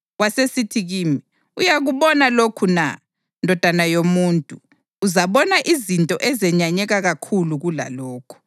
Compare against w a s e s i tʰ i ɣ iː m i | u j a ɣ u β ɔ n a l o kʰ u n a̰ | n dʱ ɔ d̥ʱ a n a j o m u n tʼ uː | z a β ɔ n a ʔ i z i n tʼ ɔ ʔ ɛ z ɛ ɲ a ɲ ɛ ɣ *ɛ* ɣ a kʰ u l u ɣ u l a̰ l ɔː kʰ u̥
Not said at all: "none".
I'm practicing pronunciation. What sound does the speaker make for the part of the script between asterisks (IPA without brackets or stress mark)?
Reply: a